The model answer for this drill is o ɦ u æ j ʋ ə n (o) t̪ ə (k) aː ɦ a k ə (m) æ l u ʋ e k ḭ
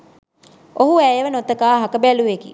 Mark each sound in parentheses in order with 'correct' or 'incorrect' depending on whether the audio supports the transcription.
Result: correct, correct, incorrect: b

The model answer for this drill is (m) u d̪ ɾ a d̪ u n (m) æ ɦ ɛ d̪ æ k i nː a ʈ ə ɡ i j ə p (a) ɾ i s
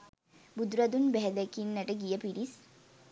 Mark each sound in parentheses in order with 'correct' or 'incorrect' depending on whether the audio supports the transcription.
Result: incorrect: b, incorrect: b, incorrect: i

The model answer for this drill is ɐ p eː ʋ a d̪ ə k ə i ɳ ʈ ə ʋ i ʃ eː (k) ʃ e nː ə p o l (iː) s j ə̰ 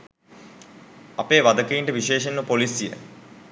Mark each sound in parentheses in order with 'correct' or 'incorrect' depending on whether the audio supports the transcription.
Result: incorrect: none, incorrect: i

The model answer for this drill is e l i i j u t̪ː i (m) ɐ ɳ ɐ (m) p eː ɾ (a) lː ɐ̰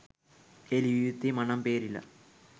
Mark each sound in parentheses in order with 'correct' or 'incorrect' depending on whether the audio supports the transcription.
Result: correct, correct, incorrect: i

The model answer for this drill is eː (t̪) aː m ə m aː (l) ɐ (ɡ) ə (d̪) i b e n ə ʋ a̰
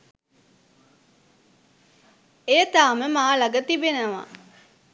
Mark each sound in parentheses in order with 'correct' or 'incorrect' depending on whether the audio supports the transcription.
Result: correct, correct, correct, incorrect: t̪

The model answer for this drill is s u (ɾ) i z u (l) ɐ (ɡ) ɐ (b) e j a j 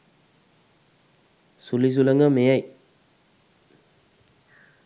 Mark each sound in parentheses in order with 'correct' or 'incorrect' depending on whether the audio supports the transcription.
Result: incorrect: l, correct, incorrect: ŋ, incorrect: m

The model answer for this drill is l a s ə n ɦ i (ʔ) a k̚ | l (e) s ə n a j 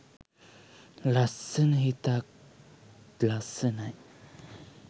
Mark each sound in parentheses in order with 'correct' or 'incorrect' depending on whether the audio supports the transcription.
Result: incorrect: t, incorrect: a

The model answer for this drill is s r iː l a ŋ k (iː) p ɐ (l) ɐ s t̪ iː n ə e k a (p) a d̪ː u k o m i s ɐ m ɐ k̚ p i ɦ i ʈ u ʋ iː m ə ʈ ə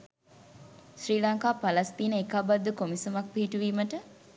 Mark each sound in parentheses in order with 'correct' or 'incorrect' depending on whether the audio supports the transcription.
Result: incorrect: aː, correct, incorrect: b

